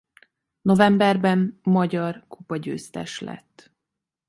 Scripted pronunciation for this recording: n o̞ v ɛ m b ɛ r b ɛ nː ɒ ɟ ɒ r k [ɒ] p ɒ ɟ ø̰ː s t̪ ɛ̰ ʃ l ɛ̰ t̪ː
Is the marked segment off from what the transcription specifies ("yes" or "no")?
yes